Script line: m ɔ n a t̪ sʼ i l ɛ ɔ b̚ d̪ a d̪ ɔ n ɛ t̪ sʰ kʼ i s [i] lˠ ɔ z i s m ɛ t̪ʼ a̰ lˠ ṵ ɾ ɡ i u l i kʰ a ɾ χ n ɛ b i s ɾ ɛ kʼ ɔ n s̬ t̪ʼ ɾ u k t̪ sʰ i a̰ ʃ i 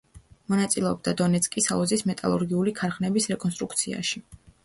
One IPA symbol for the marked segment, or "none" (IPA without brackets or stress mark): a